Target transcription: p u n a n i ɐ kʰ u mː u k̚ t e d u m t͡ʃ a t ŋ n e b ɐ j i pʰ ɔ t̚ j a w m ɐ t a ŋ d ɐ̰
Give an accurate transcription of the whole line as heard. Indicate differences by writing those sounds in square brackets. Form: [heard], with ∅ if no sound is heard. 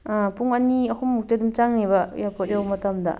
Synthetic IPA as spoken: p u [ŋ] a n i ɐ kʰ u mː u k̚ t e d u m t͡ʃ a [∅] ŋ n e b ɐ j [a] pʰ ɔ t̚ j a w m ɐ t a [m] d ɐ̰